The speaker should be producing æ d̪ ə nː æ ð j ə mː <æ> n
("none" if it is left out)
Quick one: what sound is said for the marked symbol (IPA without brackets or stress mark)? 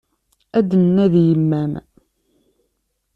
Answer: æ